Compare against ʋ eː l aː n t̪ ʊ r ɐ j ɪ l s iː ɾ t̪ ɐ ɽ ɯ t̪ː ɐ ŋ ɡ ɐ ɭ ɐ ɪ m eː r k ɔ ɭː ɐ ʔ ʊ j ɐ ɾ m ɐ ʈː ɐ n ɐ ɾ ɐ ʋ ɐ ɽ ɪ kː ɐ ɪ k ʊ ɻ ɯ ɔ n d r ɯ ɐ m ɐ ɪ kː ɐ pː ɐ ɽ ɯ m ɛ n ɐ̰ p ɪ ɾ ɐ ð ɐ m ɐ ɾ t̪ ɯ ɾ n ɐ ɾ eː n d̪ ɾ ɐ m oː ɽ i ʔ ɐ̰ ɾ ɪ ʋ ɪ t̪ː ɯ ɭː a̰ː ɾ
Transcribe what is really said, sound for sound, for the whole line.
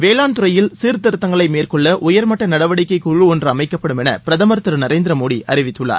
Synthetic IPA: ʋ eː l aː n t̪ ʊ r ɐ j ɪ l s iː ɾ t̪ ɐ ɾ ɯ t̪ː ɐ ŋ ɡ ɐ ɭ ɐ ɪ m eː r k ɔ ɭː ɐ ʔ ʊ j ɐ ɾ m ɐ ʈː ɐ n ɐ ɽ ɐ ʋ ɐ ɽ ɪ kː ɐ ɪ k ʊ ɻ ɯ ɔ n d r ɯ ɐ m ɐ ɪ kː ɐ pː ɐ ɽ ɯ m ɛ n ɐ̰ p ɪ ɾ ɐ ð ɐ m ɐ ɾ t̪ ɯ ɾ n ɐ ɾ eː n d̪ ɾ ɐ m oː ɽ i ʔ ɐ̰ ɾ ɪ ʋ ɪ t̪ː ɯ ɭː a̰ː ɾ